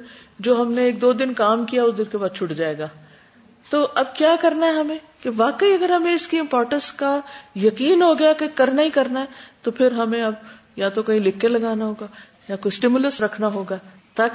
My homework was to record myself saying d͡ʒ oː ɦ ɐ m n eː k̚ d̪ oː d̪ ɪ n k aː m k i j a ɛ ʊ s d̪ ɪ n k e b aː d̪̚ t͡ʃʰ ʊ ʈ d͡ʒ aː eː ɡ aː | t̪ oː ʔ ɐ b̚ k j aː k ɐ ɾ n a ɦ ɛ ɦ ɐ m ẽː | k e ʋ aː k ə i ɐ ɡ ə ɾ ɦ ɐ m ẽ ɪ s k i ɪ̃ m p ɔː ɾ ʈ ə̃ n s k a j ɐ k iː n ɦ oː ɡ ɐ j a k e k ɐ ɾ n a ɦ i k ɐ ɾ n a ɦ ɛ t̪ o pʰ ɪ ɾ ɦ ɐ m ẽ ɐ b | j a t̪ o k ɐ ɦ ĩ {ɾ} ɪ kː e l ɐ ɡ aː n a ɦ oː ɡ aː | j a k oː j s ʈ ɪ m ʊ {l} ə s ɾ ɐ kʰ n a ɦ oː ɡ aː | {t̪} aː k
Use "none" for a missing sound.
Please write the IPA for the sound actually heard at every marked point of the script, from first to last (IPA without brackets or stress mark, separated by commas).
l, l, t̪